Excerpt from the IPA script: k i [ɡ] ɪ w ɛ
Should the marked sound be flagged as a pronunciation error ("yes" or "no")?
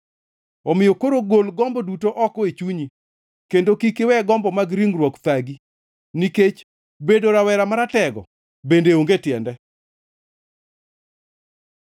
yes